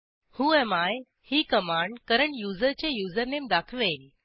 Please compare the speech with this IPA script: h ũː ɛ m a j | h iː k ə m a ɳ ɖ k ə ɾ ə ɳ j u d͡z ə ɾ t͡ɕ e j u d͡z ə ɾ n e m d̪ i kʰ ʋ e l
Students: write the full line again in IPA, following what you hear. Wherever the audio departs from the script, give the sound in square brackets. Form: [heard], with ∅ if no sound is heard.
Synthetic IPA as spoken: h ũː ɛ m a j | h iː k ə m a ɳ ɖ k ə ɾ ə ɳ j u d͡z ə ɾ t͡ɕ e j u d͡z ə ɾ n e m d̪ [a] kʰ ʋ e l